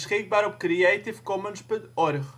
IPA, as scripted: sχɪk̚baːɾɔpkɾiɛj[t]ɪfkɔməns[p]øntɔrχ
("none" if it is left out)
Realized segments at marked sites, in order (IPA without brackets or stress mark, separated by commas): t, p